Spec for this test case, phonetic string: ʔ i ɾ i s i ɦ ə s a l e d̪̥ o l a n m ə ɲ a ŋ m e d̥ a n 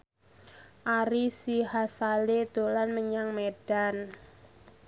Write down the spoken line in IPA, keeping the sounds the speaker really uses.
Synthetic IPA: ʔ a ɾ i s i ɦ a s a l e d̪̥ o l a n m ə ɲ a ŋ m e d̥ a n